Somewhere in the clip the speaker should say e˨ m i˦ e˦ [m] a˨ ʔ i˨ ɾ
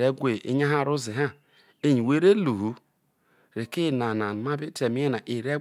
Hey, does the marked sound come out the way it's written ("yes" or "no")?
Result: no